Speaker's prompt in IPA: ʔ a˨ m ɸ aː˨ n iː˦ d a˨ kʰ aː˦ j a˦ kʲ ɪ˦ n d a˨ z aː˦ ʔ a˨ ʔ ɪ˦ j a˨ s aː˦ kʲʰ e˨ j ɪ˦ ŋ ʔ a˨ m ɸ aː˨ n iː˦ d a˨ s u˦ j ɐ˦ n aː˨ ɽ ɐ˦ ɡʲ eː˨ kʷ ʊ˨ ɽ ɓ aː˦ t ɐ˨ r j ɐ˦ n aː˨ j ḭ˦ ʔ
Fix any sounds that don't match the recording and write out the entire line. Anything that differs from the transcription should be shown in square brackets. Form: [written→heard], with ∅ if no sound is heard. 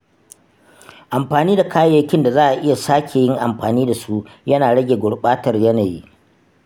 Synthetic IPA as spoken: ʔ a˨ m ɸ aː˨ n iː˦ d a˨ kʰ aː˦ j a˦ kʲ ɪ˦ n d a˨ z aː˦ ʔ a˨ ʔ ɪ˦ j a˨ s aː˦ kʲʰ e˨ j ɪ˦ ŋ ʔ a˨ m ɸ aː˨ n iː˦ d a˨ s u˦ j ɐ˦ n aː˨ ɽ ɐ˦ ɡʲ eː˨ [kʷ→ɡʷ] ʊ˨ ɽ ɓ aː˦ t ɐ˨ r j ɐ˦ n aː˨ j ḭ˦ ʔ